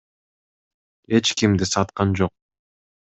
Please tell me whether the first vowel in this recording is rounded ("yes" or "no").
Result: no